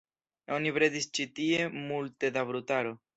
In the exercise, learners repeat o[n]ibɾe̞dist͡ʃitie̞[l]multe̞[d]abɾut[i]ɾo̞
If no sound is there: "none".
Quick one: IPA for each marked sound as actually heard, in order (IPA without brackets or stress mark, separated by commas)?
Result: n, none, d, a